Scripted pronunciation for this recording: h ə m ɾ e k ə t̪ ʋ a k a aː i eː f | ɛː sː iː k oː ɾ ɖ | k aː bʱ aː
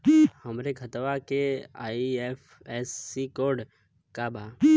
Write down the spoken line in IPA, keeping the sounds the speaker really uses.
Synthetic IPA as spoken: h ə m ɾ e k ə t̪ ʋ a k e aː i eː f | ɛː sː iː k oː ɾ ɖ | k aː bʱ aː